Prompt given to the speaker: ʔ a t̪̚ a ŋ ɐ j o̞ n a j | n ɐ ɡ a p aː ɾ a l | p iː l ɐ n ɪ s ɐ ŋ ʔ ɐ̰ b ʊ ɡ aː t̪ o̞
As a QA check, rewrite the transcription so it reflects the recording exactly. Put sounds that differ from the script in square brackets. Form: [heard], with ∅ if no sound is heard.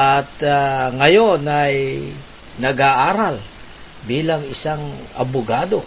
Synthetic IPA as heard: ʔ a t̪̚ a ŋ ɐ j o̞ n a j | n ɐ ɡ a [ʔ] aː ɾ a l | [b] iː l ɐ [ŋ] ɪ s [a] ŋ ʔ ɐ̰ b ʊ ɡ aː [d̪] o̞